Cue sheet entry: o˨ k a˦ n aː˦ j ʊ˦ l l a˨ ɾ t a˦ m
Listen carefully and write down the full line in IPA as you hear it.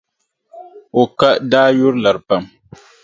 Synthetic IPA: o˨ k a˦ d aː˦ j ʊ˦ ɾ l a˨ ɾ p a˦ m